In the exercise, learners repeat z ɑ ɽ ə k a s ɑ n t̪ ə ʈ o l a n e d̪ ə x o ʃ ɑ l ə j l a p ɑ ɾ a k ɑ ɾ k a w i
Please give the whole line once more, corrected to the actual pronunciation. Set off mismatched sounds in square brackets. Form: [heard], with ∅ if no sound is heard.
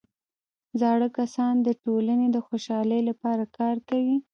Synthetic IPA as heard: z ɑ ɽ ə k a s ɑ n [d̪] ə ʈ o l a n e d̪ ə x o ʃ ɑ l ə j l a p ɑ ɾ a k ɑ ɾ k a w i